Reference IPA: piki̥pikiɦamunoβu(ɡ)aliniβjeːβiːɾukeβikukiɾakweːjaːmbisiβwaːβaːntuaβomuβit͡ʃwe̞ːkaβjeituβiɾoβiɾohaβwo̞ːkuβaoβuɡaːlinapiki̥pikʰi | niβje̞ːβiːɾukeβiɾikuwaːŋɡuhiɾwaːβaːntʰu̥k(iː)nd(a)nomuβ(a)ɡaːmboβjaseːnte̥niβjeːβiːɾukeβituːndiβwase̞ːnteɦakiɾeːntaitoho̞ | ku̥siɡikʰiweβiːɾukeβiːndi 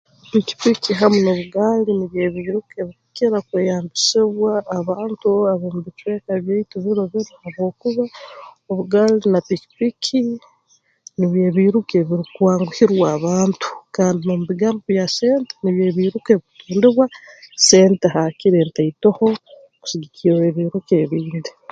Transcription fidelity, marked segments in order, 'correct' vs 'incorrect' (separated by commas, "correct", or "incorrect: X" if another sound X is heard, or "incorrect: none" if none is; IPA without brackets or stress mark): correct, incorrect: aː, incorrect: i, incorrect: i